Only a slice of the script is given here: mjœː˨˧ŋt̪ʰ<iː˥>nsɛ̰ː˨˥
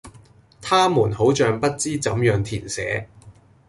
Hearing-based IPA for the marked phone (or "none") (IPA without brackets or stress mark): iː˨˩